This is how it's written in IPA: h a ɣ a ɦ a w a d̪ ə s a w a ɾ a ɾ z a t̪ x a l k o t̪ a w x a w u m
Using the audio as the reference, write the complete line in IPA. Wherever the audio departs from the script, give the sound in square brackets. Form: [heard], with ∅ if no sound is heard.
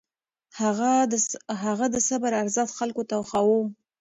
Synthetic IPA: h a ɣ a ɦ a [ɣ] a d̪ ə s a [b] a ɾ a ɾ z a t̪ x a l k o t̪ a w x a w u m